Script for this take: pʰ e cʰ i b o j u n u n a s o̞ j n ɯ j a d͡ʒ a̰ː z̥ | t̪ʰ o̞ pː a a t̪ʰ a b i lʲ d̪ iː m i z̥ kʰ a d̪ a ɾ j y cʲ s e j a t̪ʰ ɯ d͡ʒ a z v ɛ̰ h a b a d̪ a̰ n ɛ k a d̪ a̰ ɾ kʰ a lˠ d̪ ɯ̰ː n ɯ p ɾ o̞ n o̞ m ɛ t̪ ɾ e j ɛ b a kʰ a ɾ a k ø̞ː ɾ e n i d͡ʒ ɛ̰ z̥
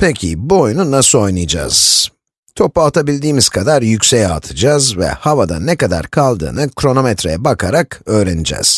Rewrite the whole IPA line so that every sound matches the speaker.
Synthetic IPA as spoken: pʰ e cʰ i b o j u n u n a s o̞ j n ɯ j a d͡ʒ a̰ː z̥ | t̪ʰ o̞ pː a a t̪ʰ a b i lʲ d̪ iː m i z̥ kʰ a d̪ a ɾ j y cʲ s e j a t̪ʰ ɯ d͡ʒ a z v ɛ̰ h a v a d̪ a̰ n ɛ k a d̪ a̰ ɾ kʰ a lˠ d̪ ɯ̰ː n ɯ k ɾ o̞ n o̞ m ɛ t̪ ɾ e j ɛ b a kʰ a ɾ a k ø̞ː ɾ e n i d͡ʒ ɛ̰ z̥